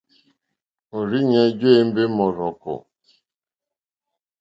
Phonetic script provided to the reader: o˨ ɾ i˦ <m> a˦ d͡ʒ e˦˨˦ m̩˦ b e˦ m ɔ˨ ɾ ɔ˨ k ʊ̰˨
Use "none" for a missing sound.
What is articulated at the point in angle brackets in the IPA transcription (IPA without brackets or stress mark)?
ɲ